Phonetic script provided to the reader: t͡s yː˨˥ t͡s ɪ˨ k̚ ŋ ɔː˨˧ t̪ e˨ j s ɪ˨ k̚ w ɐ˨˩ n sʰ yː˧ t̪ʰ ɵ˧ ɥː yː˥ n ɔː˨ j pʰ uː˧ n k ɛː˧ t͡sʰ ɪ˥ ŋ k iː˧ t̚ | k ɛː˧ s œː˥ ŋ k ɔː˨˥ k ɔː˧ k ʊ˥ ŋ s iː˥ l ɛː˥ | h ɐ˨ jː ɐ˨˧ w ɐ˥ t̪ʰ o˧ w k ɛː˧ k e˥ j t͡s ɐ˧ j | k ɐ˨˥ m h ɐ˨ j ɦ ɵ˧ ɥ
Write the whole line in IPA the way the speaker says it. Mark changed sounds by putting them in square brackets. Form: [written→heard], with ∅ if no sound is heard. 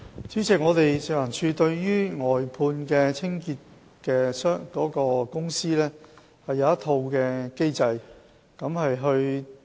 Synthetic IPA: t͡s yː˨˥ t͡s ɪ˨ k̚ ŋ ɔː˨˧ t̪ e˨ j s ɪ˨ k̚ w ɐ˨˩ n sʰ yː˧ [t̪ʰ→t̪] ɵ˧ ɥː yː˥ [n→ŋ] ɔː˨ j pʰ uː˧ n k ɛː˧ t͡sʰ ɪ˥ ŋ k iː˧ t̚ | k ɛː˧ s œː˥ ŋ k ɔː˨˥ k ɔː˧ k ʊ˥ ŋ s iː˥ l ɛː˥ | h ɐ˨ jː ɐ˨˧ w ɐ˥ t̪ʰ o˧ w k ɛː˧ k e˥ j t͡s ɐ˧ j | k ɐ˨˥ m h ɐ˨ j ɦ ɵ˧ ɥ